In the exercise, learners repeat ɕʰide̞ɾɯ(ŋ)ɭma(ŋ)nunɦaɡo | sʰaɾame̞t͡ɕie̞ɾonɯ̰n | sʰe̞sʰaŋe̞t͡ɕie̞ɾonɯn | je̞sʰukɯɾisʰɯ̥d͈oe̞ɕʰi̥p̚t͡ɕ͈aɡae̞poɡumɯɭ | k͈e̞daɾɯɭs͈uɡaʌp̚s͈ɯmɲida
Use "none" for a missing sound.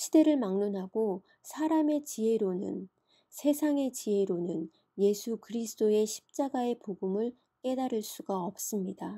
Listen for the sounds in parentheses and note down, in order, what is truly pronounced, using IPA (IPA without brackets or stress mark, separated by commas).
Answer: none, ŋ